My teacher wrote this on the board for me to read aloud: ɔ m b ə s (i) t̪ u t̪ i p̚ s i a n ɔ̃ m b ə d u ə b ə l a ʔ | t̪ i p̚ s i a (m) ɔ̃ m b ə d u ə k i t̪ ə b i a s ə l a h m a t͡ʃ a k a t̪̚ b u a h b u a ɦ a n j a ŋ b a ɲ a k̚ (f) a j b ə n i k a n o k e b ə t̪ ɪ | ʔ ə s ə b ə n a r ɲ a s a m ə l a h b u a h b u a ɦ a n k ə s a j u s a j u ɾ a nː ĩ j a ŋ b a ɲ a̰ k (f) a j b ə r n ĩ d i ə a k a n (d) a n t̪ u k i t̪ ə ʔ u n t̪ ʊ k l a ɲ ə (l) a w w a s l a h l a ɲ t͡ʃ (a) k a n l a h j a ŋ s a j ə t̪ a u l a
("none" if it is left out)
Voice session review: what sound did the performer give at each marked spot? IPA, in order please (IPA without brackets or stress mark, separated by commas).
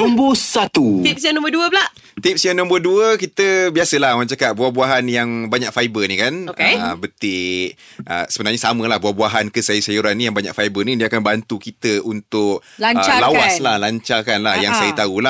a, n, f, f, b, l, a